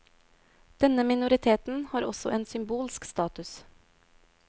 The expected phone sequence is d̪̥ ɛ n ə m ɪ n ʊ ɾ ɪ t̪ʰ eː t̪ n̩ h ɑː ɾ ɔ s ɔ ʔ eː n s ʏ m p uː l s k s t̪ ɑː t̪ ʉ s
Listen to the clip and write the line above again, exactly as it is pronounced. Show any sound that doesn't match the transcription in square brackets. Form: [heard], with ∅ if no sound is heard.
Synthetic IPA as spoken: d̪̥ ɛ n ə m ɪ n ʊ ɾ ɪ t̪ʰ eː t̪ n̩ h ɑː ɾ ɔ s ɔ ʔ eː n s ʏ m [b] uː l s k s t̪ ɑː t̪ ʉ s